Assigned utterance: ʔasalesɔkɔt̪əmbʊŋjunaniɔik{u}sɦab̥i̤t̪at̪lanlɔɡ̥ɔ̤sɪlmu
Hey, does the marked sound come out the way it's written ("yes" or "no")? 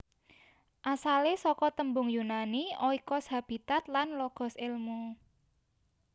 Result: no